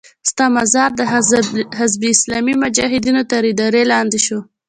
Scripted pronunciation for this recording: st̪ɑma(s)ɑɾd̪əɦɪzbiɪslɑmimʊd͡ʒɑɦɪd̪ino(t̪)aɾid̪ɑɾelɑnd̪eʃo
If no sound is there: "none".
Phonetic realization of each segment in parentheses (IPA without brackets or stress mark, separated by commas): z, t̪